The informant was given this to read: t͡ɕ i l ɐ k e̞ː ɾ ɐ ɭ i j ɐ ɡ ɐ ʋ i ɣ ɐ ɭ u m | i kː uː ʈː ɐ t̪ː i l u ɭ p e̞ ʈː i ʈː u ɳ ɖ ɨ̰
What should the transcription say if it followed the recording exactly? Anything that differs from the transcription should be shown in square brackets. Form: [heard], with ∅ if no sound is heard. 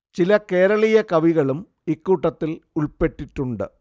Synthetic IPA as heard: t͡ɕ i l ɐ k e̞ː ɾ ɐ ɭ i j ɐ [k] ɐ ʋ i ɣ ɐ ɭ u m | i kː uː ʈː ɐ t̪ː i l u ɭ p e̞ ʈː i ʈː u ɳ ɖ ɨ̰